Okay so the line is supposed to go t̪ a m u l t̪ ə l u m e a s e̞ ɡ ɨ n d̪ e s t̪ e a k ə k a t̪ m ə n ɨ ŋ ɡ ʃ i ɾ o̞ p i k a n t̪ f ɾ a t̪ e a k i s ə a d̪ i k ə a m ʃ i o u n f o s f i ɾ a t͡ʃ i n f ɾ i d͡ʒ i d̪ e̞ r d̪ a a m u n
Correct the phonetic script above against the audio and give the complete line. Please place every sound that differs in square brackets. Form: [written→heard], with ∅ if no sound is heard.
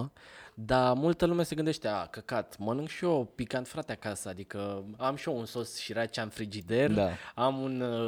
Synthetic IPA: [t̪→d̪] a m u l t̪ ə l u m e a s e̞ ɡ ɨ n d̪ e [s→ʃ] t̪ e a k ə k a t̪ m ə n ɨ ŋ ɡ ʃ i [ɾ→∅] o̞ p i k a n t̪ f ɾ a t̪ e a k [i→a] s ə a d̪ i k ə a m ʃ i o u n [f→s] o s [f→ʃ] i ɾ a t͡ʃ [i→a] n f ɾ i d͡ʒ i d̪ e̞ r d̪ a a m u n